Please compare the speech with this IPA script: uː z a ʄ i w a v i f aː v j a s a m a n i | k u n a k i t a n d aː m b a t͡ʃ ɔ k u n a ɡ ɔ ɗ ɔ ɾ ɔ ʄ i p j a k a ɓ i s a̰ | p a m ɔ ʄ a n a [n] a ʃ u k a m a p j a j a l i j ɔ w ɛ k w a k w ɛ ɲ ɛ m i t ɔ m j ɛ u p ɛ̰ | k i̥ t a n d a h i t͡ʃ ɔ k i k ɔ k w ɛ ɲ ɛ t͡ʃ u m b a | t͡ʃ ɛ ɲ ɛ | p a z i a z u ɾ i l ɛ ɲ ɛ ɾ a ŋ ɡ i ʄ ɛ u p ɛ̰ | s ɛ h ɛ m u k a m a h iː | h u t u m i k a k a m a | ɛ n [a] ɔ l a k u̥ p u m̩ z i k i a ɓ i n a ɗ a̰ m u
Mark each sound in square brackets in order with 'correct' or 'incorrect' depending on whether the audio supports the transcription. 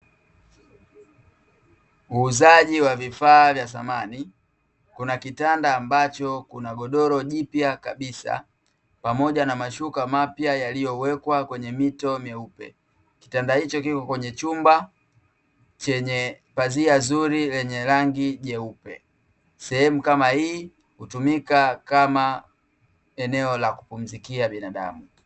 incorrect, incorrect

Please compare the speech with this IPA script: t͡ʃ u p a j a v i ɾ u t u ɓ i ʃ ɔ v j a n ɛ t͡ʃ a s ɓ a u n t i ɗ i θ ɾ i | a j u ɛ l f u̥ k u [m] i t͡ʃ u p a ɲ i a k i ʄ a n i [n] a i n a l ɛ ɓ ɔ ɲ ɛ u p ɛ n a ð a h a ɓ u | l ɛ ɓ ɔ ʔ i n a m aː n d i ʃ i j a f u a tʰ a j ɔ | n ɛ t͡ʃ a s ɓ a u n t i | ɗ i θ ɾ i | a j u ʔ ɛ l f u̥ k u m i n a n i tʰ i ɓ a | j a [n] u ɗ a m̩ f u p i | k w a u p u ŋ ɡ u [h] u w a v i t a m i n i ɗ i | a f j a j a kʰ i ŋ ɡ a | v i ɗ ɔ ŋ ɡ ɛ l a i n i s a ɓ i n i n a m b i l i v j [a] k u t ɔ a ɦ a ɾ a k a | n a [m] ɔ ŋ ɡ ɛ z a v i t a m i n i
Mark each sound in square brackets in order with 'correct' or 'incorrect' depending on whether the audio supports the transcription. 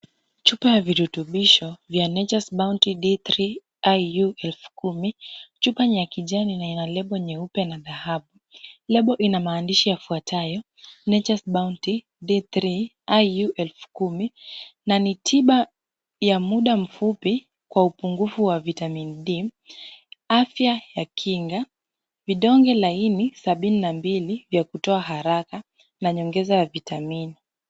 correct, correct, incorrect, incorrect, correct, incorrect

